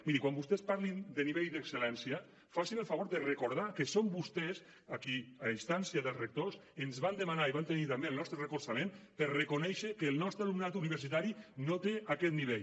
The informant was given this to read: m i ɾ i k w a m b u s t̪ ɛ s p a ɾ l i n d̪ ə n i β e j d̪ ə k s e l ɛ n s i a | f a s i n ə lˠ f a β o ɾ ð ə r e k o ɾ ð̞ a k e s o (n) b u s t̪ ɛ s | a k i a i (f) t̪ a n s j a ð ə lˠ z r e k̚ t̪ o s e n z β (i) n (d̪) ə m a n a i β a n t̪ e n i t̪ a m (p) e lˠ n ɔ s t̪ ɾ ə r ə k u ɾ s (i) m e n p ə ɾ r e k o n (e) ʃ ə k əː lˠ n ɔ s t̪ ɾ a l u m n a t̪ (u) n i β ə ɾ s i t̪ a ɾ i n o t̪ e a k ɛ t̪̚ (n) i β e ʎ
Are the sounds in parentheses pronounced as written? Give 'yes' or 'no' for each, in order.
no, no, no, yes, no, no, no, yes, yes

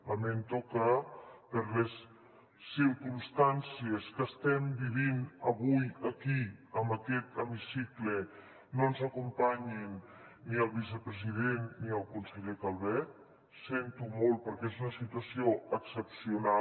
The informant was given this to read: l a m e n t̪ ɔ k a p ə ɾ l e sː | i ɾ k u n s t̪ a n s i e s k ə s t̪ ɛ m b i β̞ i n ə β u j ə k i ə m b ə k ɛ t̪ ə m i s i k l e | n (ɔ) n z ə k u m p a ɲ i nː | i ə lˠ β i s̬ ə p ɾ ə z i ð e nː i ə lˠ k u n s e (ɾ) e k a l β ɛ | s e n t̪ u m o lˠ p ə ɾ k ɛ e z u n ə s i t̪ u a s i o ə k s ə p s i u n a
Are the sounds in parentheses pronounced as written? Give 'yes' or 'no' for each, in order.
no, no

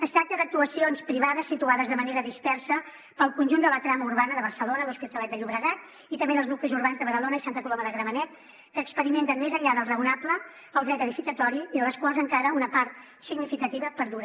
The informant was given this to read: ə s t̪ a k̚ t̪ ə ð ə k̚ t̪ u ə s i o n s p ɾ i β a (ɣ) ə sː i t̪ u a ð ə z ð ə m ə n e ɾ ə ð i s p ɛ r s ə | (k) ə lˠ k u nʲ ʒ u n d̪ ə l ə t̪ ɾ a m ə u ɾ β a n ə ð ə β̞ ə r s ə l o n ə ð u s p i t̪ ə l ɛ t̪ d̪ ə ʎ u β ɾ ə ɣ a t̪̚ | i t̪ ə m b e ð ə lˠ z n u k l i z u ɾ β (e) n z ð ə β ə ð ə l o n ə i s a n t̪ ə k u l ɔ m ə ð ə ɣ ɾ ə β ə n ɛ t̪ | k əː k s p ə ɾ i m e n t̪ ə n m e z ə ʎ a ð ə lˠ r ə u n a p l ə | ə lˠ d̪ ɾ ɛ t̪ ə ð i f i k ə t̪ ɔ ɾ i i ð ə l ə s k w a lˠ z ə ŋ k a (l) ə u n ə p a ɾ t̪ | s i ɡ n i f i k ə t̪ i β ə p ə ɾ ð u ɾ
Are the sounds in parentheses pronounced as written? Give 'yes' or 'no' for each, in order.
no, no, no, no

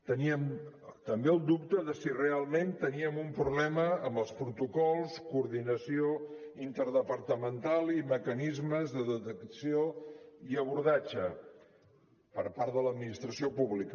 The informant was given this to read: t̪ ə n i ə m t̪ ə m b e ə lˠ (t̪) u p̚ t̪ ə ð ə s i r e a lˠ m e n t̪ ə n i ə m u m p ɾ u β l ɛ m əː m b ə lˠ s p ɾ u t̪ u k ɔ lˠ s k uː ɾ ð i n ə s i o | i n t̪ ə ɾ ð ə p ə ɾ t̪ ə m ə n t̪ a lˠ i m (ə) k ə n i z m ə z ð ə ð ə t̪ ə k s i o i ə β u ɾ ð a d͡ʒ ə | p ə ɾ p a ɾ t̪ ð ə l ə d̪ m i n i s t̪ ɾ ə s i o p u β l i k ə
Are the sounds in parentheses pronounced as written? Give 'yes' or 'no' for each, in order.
no, yes

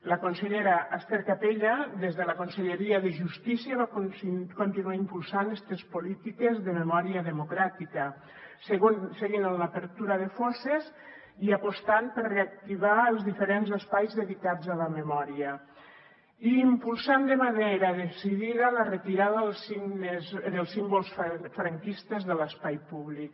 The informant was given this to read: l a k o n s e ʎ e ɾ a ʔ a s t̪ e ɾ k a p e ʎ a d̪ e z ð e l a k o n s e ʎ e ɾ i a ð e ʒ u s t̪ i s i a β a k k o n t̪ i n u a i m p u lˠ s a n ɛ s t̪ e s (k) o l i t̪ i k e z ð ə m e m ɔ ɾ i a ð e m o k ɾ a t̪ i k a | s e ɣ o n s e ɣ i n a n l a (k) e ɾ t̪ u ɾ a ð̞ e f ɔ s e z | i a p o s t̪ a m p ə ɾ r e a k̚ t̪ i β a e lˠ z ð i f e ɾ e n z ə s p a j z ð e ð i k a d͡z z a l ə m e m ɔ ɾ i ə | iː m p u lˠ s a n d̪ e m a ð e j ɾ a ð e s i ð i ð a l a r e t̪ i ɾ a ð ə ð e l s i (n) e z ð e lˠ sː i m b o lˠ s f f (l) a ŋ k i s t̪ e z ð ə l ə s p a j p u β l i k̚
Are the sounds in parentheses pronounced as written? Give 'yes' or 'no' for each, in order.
no, no, yes, no

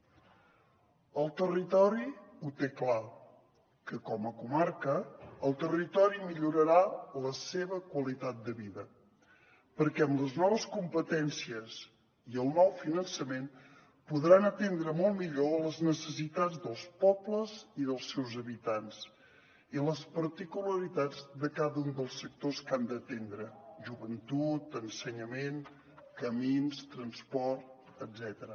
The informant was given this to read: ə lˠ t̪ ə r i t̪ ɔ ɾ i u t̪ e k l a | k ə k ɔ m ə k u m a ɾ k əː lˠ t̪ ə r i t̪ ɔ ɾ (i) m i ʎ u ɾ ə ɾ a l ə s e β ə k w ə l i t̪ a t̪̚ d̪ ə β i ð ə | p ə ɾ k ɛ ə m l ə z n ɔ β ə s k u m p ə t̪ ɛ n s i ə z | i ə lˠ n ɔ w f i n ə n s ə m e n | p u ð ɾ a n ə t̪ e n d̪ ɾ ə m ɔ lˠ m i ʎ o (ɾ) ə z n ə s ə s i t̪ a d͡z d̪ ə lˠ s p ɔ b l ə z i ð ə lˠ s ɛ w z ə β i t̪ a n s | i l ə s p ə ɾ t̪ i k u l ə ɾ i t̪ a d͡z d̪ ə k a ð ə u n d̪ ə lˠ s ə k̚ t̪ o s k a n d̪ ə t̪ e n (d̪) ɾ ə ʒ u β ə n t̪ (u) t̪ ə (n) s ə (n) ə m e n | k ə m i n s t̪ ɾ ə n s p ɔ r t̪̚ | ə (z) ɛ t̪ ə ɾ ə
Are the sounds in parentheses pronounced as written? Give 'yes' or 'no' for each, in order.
yes, no, yes, yes, yes, no, yes

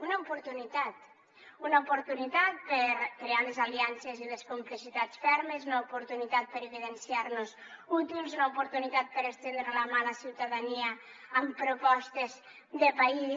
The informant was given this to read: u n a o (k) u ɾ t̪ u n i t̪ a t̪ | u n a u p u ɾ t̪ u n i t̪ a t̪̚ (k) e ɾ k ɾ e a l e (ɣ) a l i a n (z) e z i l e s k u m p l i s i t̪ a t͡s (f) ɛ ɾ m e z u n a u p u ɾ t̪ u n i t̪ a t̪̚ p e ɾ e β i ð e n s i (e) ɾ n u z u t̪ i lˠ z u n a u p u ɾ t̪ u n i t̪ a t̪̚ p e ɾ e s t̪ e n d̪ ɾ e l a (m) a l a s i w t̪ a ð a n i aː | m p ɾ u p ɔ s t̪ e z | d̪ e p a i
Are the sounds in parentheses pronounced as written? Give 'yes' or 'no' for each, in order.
no, no, no, no, yes, no, yes

